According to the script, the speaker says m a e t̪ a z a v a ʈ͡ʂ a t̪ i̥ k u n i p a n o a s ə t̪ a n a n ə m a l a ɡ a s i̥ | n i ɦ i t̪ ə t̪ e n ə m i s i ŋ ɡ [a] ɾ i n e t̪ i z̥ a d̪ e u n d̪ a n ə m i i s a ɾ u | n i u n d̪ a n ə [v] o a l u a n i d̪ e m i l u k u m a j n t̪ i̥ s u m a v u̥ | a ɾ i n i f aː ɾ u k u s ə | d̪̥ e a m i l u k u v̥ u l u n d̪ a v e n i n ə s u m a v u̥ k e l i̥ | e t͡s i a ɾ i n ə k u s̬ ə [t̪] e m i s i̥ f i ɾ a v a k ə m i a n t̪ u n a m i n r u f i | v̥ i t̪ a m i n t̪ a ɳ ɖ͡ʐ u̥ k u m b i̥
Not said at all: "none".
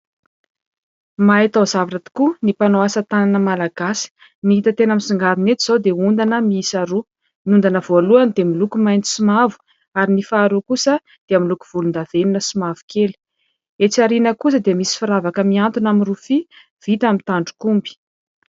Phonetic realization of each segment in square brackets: a, v, d̪

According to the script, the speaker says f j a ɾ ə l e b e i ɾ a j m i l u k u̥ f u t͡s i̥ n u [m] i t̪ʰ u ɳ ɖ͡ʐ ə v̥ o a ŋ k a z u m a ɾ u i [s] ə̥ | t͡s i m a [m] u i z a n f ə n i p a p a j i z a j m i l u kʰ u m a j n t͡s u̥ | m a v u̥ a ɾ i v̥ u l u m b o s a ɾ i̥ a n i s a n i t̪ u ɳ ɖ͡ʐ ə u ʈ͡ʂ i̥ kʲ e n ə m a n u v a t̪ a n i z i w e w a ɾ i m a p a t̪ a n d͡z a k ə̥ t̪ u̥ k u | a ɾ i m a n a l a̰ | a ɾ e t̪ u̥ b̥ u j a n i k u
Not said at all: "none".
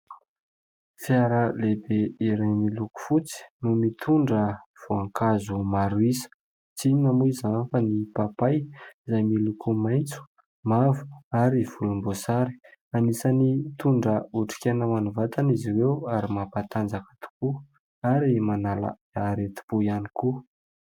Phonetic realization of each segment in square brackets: m, s, m

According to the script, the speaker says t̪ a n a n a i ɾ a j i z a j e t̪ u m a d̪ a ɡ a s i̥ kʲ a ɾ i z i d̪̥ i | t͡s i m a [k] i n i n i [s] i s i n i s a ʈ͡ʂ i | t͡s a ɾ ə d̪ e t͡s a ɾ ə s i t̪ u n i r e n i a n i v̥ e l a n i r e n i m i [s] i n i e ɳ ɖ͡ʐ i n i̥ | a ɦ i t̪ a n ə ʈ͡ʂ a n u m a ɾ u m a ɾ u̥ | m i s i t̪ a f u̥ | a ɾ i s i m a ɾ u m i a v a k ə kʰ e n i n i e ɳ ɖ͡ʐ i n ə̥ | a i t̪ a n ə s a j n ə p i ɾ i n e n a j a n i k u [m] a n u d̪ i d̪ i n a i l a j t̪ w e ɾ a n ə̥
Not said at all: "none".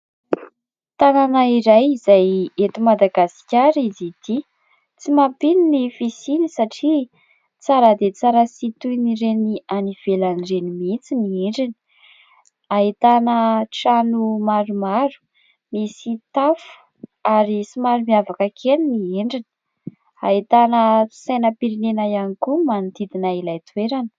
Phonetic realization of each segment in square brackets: p, f, t͡s, m

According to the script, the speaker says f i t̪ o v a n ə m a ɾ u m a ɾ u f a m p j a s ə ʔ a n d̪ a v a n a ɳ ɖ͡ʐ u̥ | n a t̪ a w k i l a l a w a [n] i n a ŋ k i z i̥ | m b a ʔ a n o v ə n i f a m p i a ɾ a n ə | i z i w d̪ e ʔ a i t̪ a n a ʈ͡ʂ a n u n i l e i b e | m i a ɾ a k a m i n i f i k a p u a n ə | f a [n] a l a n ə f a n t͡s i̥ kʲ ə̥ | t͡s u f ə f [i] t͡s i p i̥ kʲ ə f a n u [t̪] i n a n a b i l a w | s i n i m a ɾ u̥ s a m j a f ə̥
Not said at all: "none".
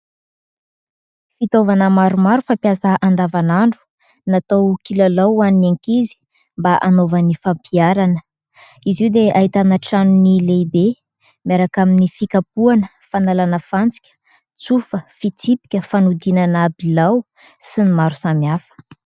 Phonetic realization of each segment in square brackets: n, n, i, d̪

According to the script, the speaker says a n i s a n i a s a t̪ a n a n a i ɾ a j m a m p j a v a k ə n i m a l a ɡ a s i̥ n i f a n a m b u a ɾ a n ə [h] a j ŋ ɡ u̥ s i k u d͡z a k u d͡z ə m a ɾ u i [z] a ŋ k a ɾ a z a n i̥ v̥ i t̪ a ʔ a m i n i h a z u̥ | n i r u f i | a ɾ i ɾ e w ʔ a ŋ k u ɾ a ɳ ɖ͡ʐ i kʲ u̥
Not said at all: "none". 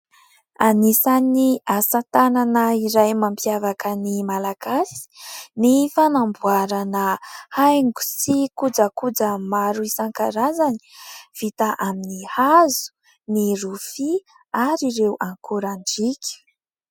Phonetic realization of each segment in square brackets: h, s

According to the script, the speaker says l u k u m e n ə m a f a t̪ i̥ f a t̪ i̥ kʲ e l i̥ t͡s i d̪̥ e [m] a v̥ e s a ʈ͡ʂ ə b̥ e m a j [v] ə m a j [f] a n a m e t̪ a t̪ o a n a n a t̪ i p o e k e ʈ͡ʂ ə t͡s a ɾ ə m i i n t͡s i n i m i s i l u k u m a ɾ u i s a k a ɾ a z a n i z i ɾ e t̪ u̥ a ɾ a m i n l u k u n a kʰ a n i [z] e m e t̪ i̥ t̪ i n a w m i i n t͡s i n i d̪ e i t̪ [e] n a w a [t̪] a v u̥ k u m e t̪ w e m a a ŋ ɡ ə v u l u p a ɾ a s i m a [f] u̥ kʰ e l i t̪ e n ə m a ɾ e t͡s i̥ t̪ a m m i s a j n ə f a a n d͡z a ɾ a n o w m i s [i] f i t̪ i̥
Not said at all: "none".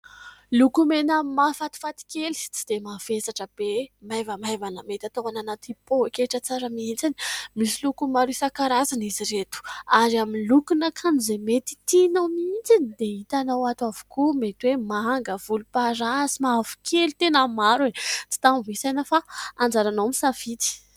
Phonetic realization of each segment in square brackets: m, v, v, z, a, t̪, v, a

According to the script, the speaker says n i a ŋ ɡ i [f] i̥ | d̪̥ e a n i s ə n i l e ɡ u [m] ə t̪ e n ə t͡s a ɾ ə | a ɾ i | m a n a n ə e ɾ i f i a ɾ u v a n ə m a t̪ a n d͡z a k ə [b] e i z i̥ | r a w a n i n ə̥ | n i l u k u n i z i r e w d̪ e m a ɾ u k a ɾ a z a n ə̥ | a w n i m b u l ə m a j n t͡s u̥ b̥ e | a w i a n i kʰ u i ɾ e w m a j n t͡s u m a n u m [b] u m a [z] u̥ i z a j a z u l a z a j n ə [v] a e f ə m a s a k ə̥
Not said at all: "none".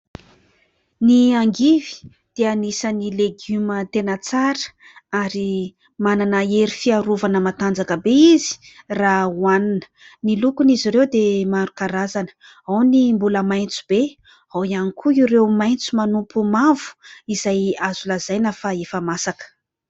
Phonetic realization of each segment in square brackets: v, m, b, p, v, f

